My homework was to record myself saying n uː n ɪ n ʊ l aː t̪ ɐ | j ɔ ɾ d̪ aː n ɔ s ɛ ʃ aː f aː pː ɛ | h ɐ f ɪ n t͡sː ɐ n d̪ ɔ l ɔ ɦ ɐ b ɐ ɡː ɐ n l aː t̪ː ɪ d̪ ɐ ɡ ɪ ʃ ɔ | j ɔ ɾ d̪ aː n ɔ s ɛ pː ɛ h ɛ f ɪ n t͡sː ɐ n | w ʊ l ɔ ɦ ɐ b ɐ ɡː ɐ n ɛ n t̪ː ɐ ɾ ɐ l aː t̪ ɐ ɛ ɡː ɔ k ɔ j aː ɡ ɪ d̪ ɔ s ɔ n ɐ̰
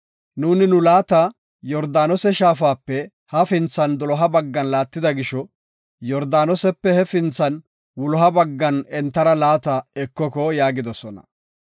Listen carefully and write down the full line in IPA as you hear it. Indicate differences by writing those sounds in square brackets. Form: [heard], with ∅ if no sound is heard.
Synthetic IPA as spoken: n uː n ɪ n ʊ l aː t̪ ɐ | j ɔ ɾ d̪ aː n ɔ s ɛ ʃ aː f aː pː ɛ | h ɐ f ɪ n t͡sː ɐ n d̪ ɔ l ɔ ɦ ɐ b ɐ ɡː ɐ n l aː t̪ː ɪ d̪ ɐ ɡ ɪ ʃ ɔ | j ɔ ɾ d̪ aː n ɔ s ɛ pː ɛ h ɛ f ɪ n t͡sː ɐ n | w ʊ l ɔ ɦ ɐ b ɐ ɡː ɐ n ɛ n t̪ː ɐ ɾ ɐ l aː t̪ ɐ ɛ [kː] ɔ k ɔ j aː ɡ ɪ d̪ ɔ s ɔ n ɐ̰